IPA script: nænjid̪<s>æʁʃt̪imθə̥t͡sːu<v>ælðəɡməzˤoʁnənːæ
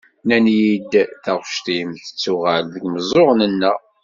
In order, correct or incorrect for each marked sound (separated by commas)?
incorrect, incorrect